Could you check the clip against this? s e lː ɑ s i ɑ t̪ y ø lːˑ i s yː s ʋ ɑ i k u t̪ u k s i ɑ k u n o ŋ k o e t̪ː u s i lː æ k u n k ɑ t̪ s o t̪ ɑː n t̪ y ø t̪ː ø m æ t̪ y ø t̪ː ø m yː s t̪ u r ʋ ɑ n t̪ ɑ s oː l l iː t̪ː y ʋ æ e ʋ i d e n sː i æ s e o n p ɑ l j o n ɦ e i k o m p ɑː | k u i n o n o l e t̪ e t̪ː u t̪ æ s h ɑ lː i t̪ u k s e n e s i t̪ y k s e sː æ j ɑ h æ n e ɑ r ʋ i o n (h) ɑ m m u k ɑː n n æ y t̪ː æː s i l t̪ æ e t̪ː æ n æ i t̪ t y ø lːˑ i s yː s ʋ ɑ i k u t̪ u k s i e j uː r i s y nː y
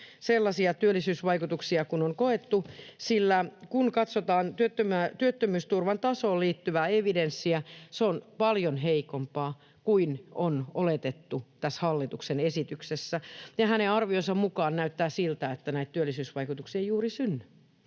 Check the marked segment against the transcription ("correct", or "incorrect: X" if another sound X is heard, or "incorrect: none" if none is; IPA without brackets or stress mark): incorrect: s